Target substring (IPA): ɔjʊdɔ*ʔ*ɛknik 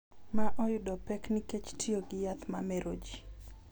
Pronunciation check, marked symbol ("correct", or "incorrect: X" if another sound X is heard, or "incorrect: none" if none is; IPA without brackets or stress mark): incorrect: p